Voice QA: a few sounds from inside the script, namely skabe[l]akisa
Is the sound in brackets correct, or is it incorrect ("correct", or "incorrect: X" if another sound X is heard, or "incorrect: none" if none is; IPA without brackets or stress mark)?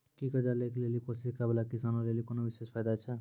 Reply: correct